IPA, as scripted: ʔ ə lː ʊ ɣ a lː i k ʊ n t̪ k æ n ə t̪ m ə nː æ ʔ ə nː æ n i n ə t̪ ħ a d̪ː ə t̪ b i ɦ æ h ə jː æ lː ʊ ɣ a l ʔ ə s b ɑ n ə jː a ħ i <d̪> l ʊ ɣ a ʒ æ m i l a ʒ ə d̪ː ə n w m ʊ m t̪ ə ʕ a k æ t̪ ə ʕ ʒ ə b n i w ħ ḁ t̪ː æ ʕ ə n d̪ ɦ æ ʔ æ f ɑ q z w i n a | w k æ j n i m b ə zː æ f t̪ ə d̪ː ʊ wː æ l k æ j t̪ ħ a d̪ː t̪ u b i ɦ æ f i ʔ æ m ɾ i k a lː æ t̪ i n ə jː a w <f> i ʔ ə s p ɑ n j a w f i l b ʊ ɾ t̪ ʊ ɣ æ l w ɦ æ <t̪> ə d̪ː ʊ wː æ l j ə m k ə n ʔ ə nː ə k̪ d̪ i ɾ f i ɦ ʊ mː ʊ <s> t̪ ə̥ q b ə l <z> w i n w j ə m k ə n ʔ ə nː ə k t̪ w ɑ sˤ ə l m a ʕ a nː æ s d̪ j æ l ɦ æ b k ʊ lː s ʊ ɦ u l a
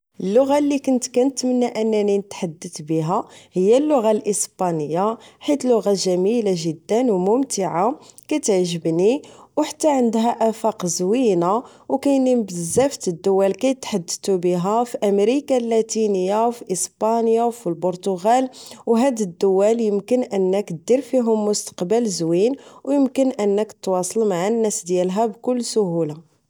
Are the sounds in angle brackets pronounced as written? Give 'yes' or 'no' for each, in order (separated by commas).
no, yes, no, yes, yes